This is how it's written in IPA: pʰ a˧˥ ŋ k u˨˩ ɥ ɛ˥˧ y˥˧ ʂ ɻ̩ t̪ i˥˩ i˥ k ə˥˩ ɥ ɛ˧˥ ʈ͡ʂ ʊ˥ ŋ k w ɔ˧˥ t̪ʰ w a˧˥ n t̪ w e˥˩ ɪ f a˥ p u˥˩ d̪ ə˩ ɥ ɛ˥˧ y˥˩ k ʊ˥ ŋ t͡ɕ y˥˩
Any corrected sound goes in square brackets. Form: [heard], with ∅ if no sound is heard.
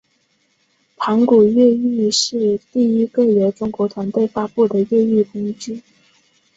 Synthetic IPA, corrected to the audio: pʰ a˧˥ ŋ k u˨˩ ɥ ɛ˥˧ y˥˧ ʂ ɻ̩ t̪ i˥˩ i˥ k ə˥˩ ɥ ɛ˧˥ ʈ͡ʂ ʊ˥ ŋ k w ɔ˧˥ t̪ʰ w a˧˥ n t̪ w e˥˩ ɪ f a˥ p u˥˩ d̪ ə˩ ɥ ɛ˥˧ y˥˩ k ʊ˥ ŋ t͡ɕ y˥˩